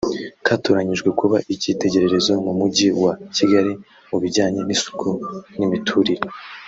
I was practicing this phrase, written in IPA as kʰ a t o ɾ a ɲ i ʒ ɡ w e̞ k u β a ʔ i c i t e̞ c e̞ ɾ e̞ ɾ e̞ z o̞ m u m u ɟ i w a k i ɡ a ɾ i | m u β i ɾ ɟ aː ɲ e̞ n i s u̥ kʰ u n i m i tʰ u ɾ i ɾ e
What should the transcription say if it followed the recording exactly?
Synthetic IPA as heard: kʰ a t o ɾ a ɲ i ʒ ɡ w e̞ k u β a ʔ i c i t e̞ ɟ e̞ ɾ e̞ ɾ e̞ z o̞ m u m u ɟ i w a c i ɡ a ɾ i | m u β i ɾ ɟ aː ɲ e̞ n i s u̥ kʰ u n i m i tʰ u ɾ i ɾ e